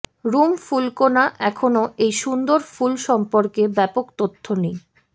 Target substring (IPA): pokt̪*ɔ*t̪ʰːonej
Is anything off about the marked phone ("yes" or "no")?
yes